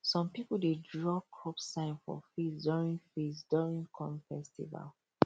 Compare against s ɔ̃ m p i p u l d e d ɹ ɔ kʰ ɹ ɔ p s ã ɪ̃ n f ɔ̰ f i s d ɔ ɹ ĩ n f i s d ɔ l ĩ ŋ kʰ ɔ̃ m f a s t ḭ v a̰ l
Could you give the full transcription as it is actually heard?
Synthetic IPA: s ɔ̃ m p i p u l d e d ɹ ɔ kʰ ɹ ɔ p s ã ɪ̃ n f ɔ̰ f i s d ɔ ɹ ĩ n f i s d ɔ ɹ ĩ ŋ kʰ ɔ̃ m f ɛ s t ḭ v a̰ l